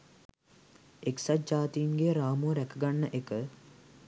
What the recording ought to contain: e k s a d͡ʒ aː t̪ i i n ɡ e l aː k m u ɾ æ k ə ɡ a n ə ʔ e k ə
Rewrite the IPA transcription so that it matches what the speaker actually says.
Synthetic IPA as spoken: e k s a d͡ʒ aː t̪ i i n ɡ e ɾ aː m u ɾ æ k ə ɡ a nː ə ʔ e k ə